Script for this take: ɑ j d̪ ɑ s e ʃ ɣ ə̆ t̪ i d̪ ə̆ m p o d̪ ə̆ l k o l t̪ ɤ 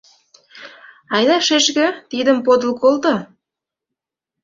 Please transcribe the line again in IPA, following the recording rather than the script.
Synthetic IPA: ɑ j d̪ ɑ ʃ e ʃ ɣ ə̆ t̪ i d̪ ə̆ m p o d̪ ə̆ l k o l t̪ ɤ